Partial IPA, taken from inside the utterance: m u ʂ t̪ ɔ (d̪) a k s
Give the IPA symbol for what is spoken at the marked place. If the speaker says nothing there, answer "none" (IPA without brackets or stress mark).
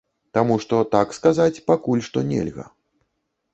t̪